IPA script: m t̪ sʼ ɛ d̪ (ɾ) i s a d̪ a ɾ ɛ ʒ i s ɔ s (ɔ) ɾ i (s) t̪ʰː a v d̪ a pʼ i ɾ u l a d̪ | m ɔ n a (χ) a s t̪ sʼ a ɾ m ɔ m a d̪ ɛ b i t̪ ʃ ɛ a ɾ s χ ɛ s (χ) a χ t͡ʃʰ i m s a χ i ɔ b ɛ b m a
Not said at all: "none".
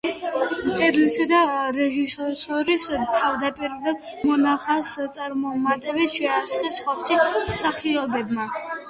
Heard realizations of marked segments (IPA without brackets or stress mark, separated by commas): l, ɔ, s, χ, χ